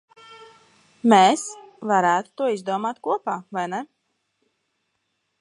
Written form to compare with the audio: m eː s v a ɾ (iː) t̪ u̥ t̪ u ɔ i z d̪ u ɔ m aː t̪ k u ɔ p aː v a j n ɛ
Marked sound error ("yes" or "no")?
yes